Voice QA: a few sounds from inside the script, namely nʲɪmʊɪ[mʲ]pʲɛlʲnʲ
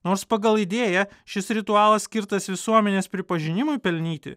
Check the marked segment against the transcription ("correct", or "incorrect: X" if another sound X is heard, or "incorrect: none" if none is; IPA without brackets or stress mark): incorrect: none